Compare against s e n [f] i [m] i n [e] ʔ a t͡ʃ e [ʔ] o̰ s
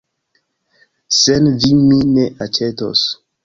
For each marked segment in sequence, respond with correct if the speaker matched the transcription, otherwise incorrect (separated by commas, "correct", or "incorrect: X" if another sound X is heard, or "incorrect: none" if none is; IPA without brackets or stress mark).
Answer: incorrect: v, correct, correct, incorrect: t